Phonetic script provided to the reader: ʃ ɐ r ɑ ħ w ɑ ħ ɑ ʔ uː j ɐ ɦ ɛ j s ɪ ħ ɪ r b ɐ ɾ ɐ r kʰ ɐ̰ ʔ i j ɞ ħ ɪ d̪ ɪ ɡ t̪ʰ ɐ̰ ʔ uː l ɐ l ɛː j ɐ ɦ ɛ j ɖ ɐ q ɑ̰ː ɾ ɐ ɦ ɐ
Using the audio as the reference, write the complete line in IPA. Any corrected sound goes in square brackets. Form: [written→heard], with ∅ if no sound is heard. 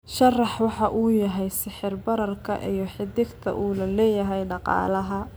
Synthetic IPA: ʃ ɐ r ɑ ħ w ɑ ħ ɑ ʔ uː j ɐ ɦ ɛ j s ɪ ħ ɪ r b ɐ ɾ ɐ r kʰ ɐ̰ ʔ i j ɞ ħ ɪ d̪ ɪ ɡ t̪ʰ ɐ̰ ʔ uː l ɐ l ɛː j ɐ ɦ ɛ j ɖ [ɐ→ɑ] q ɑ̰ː [ɾ→l] ɐ ɦ ɐ